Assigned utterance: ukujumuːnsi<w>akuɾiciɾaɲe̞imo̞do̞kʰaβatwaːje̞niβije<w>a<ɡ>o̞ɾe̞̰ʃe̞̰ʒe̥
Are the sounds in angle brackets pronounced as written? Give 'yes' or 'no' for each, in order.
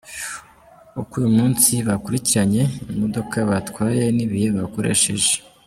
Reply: no, no, no

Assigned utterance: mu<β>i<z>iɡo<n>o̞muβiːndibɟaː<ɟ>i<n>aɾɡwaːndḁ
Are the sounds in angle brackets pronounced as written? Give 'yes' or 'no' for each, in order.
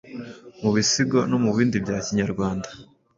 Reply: yes, no, yes, no, no

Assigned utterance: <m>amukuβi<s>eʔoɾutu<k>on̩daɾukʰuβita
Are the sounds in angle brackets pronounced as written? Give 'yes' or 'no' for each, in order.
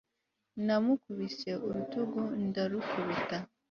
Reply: no, yes, no

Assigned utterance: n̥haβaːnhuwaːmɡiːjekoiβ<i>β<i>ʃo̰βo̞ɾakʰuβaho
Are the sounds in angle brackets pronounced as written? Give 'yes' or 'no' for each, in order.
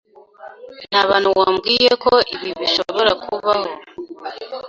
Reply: yes, yes

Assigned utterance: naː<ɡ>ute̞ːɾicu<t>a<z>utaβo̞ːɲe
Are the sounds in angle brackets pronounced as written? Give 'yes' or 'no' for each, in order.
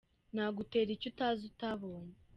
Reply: yes, yes, yes

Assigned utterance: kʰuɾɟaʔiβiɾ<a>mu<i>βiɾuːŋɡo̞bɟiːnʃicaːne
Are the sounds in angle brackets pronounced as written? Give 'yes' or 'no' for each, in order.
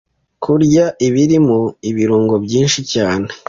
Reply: no, yes

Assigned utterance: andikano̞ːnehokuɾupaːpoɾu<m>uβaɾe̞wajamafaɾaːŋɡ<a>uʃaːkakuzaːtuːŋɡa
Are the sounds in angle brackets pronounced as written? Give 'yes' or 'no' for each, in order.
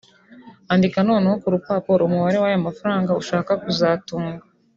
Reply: yes, yes

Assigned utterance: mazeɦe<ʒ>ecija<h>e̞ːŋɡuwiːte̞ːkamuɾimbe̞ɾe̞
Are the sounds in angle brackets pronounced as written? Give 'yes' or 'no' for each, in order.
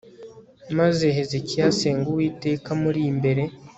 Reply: no, no

